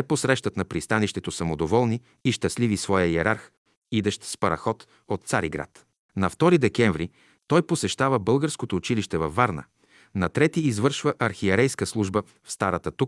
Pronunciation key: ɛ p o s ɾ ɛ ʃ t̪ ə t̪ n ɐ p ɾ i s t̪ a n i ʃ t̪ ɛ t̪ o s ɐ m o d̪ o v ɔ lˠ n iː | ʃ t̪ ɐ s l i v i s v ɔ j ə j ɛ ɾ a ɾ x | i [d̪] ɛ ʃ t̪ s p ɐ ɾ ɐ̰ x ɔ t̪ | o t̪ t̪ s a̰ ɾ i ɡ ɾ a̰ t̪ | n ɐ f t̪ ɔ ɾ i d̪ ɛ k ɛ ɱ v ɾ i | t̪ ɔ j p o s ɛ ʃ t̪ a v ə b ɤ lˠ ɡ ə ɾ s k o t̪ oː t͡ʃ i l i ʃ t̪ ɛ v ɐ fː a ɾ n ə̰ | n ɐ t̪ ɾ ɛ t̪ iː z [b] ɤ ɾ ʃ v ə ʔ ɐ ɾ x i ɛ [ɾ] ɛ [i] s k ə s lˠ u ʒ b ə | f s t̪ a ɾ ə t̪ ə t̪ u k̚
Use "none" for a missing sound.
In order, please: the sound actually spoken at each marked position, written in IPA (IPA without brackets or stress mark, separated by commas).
d̪, v, ɾ, j